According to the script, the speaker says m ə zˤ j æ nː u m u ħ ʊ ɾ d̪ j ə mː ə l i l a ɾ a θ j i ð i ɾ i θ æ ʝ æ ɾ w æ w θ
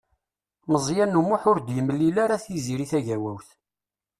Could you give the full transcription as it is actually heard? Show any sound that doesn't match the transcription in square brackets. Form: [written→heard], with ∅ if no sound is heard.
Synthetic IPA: m ə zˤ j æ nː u m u ħ ʊ ɾ d̪ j ə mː ə l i l a ɾ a θ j i [ð→z] i ɾ i θ æ ʝ æ [ɾ→∅] w æ w θ